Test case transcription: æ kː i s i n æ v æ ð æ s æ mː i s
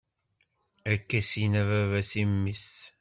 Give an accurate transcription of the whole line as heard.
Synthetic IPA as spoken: æ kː æ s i n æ v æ v æ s i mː i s